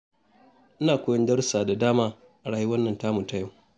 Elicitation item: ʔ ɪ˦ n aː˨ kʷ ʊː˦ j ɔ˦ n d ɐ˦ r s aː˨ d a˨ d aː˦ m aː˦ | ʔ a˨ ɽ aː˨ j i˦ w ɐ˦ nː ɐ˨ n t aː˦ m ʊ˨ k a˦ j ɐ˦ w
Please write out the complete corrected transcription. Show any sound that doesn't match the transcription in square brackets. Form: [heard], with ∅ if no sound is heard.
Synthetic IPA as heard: ʔ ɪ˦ n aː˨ kʷ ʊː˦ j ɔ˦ n d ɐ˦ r s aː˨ d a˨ d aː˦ m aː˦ | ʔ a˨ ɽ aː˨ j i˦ w ɐ˦ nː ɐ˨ n t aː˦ m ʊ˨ [t] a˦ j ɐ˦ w